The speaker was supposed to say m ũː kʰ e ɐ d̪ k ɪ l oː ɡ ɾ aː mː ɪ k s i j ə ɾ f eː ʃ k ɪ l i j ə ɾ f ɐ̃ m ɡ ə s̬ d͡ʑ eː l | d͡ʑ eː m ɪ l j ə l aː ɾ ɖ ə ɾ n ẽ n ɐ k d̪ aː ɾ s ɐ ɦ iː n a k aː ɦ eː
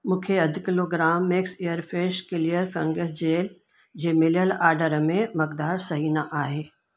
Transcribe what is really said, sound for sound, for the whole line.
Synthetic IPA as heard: m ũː kʰ e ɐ d̪ k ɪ l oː ɡ ɾ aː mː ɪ k s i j ə ɾ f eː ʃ k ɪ l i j ə ɾ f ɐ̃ ŋ ɡ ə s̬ d͡ʑ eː l | d͡ʑ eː m ɪ l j ə l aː ɾ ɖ ə ɾ m ẽ m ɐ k d̪ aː ɾ s ɐ ɦ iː n a ʔ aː ɦ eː